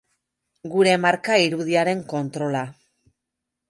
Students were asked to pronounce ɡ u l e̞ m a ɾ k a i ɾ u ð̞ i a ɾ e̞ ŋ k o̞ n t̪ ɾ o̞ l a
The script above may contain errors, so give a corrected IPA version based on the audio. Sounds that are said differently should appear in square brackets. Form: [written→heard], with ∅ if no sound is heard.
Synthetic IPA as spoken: ɡ u [l→ɾ] e̞ m a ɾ k a i ɾ u ð̞ i a ɾ e̞ ŋ k o̞ n t̪ ɾ o̞ l a